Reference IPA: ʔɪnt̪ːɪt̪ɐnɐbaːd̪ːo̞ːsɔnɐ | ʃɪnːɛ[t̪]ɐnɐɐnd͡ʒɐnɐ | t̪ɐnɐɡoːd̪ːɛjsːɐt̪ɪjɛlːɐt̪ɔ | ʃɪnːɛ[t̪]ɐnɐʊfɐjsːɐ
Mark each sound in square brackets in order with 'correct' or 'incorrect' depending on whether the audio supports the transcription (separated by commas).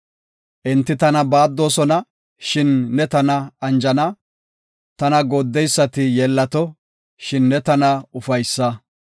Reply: correct, correct